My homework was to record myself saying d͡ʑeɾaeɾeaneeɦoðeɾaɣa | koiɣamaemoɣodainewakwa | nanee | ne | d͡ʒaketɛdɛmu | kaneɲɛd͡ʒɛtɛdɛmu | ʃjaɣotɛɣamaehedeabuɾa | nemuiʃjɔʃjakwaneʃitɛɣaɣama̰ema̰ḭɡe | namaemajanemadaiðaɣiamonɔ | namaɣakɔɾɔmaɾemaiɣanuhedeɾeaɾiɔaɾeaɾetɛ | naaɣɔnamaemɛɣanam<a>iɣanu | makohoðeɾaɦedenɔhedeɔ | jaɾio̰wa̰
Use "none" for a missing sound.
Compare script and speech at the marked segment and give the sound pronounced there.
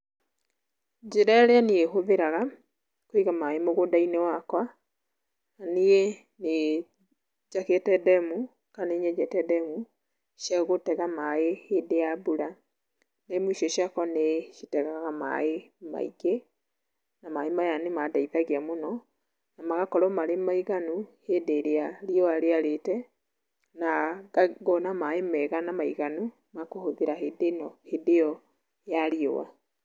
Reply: a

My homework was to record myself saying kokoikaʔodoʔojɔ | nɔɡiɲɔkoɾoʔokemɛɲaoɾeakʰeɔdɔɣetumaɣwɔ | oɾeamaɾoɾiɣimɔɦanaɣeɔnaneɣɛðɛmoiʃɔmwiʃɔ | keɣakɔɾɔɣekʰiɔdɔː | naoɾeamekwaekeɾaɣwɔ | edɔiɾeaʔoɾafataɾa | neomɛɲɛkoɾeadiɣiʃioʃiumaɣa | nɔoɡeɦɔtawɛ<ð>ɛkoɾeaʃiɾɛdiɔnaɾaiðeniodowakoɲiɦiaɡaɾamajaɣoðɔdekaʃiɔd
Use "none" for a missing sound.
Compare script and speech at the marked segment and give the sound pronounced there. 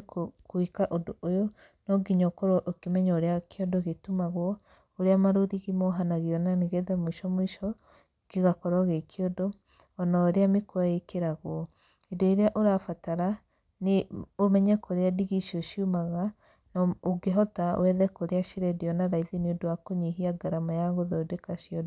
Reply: ð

